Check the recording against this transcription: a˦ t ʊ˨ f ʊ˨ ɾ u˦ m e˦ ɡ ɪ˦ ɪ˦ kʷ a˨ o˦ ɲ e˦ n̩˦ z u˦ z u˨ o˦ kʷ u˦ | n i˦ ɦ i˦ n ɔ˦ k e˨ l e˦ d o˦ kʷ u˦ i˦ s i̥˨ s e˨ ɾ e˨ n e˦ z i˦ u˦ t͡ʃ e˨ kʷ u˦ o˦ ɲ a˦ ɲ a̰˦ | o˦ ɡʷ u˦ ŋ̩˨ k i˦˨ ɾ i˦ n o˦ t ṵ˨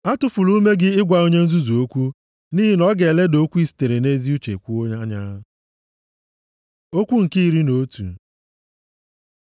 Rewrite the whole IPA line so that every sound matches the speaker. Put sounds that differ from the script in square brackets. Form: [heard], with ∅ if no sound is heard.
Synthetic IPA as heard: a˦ t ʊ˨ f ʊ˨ [l] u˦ m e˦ ɡ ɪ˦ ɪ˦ [ɡʷ] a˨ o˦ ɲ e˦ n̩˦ z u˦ z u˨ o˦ kʷ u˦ | n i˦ ɦ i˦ n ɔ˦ [ɡ] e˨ l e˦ d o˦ kʷ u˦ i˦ s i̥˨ [t] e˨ ɾ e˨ n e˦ z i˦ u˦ t͡ʃ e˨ kʷ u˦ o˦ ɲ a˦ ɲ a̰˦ | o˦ [kʷ] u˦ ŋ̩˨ k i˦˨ ɾ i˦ n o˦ t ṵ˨